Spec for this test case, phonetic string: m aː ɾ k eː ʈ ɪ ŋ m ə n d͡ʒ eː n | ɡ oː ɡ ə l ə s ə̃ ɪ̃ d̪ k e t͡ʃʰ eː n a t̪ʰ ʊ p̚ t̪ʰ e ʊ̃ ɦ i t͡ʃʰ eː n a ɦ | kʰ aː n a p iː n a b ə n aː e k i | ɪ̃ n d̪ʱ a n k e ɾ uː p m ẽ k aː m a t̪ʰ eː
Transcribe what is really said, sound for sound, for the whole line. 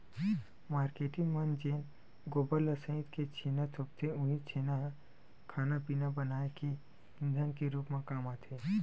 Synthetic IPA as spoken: m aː ɾ k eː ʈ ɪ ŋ m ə n d͡ʒ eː n | ɡ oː b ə l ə s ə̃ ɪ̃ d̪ k e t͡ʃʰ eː n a t̪ʰ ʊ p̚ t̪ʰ e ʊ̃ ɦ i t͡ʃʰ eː n a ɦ | kʰ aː n a p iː n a b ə n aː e k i | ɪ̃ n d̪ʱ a n k e ɾ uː p m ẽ k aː m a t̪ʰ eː